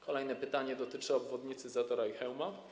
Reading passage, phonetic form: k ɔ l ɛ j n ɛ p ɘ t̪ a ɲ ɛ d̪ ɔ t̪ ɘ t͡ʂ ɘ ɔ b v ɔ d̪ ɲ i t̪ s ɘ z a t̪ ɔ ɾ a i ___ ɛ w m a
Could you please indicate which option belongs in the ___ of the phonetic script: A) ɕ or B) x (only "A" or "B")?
B